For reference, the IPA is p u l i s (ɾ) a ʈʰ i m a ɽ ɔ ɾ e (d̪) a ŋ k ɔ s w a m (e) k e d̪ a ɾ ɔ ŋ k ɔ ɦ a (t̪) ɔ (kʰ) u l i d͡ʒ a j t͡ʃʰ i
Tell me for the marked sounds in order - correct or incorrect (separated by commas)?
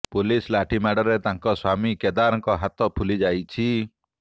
incorrect, incorrect, incorrect, correct, incorrect